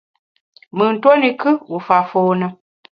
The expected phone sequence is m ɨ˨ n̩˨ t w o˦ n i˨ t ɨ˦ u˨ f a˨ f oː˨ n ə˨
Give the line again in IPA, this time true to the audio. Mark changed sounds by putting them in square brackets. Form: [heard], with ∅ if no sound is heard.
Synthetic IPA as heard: m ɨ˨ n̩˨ t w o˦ n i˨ [k] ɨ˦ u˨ f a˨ f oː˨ n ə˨